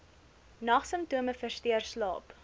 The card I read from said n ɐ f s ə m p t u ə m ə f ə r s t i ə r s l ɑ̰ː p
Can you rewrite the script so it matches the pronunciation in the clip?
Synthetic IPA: n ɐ χ s ə m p t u ə m ə f ə r s t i ə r s l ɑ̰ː p